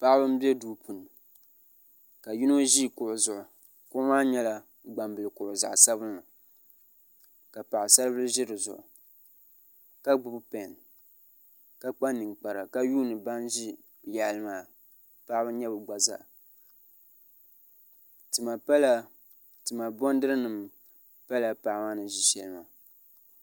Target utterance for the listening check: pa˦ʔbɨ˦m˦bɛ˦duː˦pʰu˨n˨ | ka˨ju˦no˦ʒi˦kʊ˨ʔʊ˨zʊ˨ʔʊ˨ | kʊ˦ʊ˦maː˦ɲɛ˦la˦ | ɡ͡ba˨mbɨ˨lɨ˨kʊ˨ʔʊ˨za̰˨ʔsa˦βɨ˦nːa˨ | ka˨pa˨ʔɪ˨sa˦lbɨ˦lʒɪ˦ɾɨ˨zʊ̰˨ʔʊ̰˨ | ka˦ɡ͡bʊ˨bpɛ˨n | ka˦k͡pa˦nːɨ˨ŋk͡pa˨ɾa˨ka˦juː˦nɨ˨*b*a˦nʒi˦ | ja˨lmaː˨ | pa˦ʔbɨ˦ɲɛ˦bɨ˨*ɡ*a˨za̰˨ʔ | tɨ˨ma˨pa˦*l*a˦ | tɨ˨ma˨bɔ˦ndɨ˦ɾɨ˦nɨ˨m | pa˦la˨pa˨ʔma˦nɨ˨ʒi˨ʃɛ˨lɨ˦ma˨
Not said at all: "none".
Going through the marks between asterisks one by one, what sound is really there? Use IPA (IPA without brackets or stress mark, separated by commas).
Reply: b, ɡ͡b, l